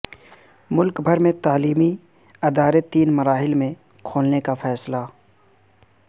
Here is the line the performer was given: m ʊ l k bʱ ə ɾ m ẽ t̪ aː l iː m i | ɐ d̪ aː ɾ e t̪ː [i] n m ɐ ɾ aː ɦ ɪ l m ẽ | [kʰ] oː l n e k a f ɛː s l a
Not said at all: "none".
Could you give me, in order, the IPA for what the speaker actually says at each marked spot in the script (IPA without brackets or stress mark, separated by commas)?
iː, kʰ